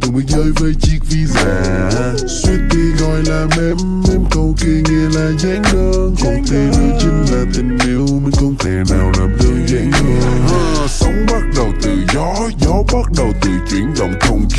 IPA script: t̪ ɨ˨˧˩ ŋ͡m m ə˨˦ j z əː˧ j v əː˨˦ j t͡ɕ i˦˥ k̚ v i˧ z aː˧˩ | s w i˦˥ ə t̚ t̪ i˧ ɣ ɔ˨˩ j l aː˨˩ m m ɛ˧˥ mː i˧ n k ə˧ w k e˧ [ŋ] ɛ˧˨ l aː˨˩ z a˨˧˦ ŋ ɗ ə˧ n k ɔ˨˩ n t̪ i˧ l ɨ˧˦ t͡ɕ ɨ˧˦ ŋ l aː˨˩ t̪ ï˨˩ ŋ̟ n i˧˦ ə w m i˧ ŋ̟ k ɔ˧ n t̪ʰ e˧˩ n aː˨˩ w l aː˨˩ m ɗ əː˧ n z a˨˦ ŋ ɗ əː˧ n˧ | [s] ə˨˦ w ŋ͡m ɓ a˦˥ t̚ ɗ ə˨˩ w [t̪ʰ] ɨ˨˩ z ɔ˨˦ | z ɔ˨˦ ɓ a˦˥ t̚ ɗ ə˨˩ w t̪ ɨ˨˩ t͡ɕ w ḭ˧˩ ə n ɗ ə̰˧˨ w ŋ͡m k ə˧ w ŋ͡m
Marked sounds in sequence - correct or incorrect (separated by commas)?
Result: correct, correct, incorrect